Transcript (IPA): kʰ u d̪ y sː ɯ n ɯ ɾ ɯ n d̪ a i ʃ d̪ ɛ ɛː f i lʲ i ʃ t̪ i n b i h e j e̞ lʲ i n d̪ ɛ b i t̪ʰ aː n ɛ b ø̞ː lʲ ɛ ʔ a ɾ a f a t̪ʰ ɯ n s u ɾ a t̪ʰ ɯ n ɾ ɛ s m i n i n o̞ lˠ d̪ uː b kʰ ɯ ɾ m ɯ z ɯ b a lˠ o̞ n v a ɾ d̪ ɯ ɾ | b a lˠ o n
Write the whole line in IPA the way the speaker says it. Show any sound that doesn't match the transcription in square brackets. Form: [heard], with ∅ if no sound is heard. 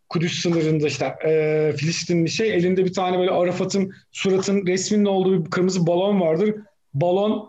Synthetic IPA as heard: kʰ u d̪ y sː ɯ n ɯ ɾ ɯ n d̪ a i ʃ [t̪] ɛ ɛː f i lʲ i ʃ t̪ i n b i [ʃ] e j e̞ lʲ i n d̪ ɛ b i t̪ʰ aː n ɛ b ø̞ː lʲ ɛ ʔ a ɾ a f a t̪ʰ ɯ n s u ɾ a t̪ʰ ɯ n ɾ ɛ s m i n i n o̞ lˠ d̪ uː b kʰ ɯ ɾ m ɯ z ɯ b a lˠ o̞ n v a ɾ d̪ ɯ ɾ | b a lˠ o n